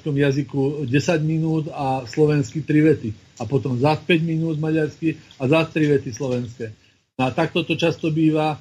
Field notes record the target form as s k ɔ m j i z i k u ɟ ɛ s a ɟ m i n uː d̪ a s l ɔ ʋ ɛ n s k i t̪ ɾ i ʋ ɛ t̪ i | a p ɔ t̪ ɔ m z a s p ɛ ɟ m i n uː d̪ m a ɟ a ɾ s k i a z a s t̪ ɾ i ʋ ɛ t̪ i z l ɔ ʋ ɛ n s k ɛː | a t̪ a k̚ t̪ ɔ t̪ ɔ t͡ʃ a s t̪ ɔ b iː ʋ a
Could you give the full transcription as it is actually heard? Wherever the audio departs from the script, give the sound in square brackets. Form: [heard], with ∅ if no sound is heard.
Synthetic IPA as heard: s k ɔ m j [a] z i k u ɟ ɛ s a ɟ m i n uː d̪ a s l ɔ ʋ ɛ n s k i t̪ ɾ i ʋ ɛ t̪ i | a p ɔ t̪ ɔ m z a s p ɛ ɟ m i n uː d̪ m a ɟ a ɾ s k i a z a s t̪ ɾ i ʋ ɛ t̪ i [s] l ɔ ʋ ɛ n s k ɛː | a t̪ a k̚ t̪ ɔ t̪ ɔ t͡ʃ a s t̪ ɔ b iː ʋ a